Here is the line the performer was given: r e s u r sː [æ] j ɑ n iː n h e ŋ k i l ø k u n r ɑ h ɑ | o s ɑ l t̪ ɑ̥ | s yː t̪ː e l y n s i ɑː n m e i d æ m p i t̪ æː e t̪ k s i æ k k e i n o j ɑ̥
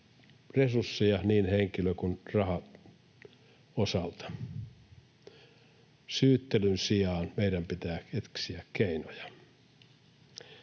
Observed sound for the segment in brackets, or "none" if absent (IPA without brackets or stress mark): i